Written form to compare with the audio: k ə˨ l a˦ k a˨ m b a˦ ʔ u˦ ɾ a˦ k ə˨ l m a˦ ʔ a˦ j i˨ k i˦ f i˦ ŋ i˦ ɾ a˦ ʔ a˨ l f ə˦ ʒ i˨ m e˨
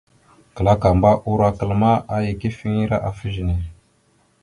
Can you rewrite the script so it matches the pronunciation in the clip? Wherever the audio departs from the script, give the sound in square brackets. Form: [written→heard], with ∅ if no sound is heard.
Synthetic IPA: k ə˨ l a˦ k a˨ m b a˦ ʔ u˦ ɾ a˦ k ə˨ l m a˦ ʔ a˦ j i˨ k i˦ f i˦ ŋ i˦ ɾ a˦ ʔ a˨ [l→∅] f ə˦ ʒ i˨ [m→n] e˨

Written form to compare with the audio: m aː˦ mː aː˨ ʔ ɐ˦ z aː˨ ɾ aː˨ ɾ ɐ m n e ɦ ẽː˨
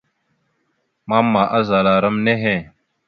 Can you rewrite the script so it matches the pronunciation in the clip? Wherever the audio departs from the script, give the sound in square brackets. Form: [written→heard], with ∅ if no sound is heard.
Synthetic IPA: m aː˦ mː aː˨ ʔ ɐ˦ z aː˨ [ɾ→l] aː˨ ɾ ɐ m n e ɦ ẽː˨

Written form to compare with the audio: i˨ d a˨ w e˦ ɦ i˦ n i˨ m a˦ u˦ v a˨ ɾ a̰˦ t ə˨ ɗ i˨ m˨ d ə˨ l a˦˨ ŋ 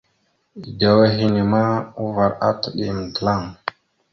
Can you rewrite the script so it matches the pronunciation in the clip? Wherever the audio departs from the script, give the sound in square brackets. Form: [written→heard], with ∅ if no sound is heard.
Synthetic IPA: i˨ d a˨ w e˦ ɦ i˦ n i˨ m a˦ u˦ v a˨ ɾ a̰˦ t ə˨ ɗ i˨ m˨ d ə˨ l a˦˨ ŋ

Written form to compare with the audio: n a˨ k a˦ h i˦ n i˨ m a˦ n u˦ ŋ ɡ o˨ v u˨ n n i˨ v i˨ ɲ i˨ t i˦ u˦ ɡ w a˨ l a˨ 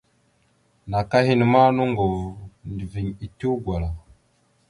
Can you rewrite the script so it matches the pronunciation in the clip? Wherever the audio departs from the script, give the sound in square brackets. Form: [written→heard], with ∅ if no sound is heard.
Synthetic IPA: n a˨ k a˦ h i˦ n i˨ m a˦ n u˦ ŋ ɡ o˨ v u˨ n [n→d] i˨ v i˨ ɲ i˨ t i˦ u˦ ɡ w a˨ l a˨

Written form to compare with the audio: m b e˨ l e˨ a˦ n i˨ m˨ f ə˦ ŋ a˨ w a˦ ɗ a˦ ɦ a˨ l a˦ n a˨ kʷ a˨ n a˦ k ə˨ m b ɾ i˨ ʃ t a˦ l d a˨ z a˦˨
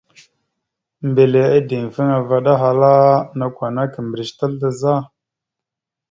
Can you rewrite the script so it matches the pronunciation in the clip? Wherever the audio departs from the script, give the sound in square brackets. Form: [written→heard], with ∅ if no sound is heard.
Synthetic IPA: m b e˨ l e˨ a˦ [n→d] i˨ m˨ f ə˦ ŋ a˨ [w→v] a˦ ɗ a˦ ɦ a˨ l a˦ n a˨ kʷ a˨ n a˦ k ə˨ m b ɾ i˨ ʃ t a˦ l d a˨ z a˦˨

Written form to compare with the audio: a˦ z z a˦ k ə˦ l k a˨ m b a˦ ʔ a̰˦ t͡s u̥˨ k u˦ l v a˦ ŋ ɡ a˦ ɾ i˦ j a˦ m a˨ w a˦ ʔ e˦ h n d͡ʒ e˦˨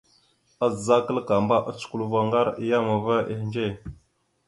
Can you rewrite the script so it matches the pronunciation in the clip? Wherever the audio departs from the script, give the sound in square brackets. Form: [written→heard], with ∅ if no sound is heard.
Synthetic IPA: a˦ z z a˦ k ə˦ l k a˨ m b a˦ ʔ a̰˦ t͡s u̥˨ k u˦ l v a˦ ŋ ɡ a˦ ɾ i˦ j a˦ m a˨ [w→v] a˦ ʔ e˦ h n d͡ʒ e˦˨

